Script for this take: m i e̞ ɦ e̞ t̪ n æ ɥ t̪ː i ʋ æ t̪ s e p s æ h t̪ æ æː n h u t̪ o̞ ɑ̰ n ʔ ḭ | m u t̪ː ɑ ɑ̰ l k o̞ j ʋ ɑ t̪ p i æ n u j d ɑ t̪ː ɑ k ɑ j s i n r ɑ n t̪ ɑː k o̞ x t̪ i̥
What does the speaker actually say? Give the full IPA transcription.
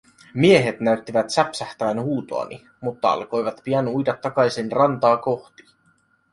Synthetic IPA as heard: m i e̞ ɦ e̞ t̪ n æ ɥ t̪ː i ʋ æ t̪ s æ p s æ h t̪ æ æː n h uː t̪ o̞ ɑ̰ n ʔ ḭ | m u t̪ː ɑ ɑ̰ l k o̞ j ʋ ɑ t̪ p i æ n u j d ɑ t̪ː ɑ k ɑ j s i n r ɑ n t̪ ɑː k o̞ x t̪ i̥

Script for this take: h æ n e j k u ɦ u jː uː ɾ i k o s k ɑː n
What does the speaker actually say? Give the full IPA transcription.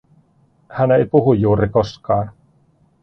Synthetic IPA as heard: h æ n e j p u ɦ u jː uː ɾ i k o s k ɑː n

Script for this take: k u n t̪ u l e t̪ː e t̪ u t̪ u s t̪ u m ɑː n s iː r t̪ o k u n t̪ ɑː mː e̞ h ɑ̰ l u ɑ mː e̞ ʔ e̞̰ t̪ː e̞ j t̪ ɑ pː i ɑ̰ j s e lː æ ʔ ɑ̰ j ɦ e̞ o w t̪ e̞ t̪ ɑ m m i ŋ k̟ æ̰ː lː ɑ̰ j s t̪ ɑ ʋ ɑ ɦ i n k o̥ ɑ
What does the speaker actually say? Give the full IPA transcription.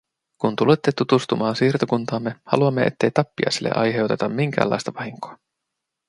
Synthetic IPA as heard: k u n t̪ u l e t̪ː e t̪ u t̪ u s t̪ u m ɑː n s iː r t̪ o k u n t̪ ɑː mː e̞ h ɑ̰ l u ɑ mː e̞ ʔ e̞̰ t̪ː e̞ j t̪ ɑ pː i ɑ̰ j s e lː e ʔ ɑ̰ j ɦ e̞ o w t̪ e̞ t̪ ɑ m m i ŋ k̟ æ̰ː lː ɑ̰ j s t̪ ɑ ʋ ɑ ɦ i ŋ k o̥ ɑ

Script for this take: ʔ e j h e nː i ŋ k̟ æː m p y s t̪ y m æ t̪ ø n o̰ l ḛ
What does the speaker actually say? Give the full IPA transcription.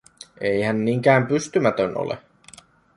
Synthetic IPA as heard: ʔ e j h æ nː i ŋ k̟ æː m p y s t̪ y m æ t̪ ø n o̰ l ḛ

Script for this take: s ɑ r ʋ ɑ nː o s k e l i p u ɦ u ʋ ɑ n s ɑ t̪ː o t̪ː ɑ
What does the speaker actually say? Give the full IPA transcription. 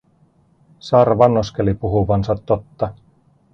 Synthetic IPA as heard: s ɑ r ʋ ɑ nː o s k e l i p u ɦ u ʋ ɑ n s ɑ t̪ː o t̪ː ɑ

